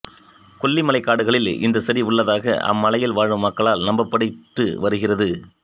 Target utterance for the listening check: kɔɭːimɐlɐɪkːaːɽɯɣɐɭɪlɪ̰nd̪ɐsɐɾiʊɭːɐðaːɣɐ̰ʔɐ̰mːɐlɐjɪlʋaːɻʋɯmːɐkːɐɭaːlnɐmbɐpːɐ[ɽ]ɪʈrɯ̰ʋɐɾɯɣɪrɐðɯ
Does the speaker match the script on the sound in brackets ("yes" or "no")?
yes